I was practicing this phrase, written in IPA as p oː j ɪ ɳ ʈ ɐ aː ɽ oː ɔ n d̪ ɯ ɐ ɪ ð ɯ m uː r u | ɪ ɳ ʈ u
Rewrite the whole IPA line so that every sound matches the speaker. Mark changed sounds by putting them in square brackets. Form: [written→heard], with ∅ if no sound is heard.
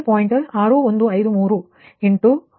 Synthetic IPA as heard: p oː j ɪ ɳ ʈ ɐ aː [ɽ→ɾ] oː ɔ n d̪ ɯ ɐ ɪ ð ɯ m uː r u | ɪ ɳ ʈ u